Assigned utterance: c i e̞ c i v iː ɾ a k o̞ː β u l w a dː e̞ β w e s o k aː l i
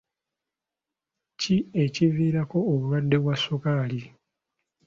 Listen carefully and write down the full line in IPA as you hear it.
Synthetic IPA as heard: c i e̞ c i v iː ɾ a k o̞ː β u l w a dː e̞ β w a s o k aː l i